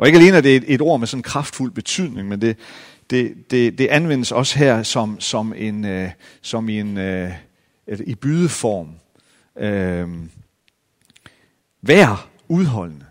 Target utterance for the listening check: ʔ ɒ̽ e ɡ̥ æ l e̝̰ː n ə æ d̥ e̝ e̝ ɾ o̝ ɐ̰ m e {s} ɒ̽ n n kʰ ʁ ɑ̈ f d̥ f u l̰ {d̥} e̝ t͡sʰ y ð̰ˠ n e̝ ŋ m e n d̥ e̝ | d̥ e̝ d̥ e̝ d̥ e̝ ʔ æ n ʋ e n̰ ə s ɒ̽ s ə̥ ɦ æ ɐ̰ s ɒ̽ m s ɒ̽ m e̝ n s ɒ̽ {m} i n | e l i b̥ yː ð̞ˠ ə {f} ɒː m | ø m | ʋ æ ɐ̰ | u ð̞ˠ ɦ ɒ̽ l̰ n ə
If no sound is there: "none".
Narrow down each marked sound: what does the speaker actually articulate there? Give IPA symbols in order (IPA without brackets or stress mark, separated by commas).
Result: s, b̥, m, f